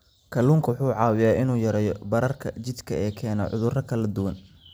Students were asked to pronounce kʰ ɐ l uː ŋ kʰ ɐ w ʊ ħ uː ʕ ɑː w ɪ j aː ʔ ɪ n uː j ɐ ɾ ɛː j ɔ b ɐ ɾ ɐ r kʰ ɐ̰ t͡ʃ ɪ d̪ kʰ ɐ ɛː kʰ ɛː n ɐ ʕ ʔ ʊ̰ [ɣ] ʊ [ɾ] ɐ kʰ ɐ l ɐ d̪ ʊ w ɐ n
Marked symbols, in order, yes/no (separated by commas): no, no